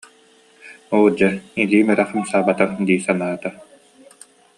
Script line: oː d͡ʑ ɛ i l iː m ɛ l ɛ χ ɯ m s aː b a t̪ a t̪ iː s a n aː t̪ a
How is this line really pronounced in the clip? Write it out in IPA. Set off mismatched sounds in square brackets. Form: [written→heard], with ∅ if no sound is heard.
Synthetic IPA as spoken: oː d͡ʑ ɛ i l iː m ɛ [l→ɾ] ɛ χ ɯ m s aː b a t̪ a [t̪→d̪] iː s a n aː t̪ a